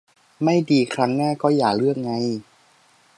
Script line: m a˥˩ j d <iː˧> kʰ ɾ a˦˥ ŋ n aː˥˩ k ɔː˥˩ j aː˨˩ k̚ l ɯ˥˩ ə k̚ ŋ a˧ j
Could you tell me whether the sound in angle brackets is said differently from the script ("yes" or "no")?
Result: no